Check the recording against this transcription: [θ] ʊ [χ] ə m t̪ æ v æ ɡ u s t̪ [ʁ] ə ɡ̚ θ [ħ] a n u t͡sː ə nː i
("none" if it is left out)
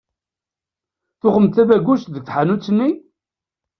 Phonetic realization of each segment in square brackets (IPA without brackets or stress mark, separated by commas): θ, χ, ð, ħ